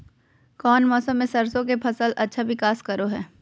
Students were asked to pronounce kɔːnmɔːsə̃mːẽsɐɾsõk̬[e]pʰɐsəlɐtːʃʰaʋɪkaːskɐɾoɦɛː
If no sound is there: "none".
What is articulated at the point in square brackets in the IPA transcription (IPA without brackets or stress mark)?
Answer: e